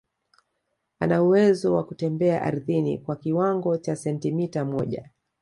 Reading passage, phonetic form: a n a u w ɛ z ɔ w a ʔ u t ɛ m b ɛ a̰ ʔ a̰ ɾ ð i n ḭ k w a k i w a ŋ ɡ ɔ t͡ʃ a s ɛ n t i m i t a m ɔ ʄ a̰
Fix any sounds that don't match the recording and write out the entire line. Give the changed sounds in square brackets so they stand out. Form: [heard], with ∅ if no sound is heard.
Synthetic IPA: a n a u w ɛ z ɔ w a [k] u t ɛ m b ɛ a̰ ʔ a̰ ɾ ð i n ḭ k w a k i w a ŋ ɡ ɔ t͡ʃ a s ɛ n t i m i t a m ɔ ʄ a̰